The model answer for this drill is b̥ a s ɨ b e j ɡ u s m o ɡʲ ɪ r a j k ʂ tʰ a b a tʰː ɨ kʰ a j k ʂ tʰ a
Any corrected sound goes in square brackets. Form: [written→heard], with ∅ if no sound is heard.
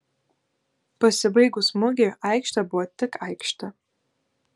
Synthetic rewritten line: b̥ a s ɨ b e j ɡ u s m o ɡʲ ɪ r a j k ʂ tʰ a b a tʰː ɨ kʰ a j k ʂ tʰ a